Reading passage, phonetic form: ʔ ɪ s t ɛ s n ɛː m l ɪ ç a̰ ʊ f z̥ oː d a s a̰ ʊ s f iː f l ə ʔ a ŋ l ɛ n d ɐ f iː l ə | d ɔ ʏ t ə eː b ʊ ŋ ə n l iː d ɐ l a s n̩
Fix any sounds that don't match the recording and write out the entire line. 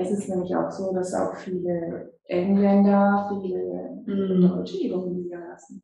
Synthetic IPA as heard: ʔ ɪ s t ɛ s n ɛː m l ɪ ç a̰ ʊ x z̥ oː d a s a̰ ʊ x f iː l ə ʔ ɛ ŋ l ɛ n d ɐ f iː l ə | d ɔ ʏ t͡ʃ ə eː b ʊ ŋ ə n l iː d ɐ l a s n̩